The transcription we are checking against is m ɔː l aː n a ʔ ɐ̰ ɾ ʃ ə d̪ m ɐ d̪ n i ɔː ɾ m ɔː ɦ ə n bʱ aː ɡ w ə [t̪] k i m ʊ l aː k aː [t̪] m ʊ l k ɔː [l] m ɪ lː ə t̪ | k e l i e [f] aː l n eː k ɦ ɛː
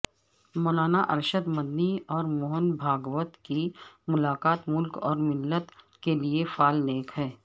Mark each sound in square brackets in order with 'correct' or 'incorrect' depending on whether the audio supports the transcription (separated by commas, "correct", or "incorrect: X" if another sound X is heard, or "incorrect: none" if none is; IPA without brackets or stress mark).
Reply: correct, correct, incorrect: ɾ, correct